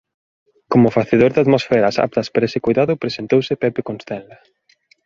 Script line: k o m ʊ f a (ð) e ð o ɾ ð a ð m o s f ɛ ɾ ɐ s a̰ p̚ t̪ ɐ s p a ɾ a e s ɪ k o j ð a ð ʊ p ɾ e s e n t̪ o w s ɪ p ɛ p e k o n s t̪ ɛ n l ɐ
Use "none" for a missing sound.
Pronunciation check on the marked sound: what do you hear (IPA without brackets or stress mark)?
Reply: θ